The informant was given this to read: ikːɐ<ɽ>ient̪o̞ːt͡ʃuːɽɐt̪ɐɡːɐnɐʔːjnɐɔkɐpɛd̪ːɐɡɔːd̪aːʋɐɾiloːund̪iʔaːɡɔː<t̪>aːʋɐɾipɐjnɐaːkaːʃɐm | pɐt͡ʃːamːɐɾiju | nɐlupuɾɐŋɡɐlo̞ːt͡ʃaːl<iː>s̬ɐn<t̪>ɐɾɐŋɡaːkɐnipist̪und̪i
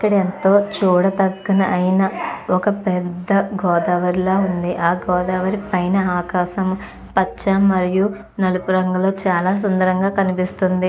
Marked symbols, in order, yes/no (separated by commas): yes, no, no, no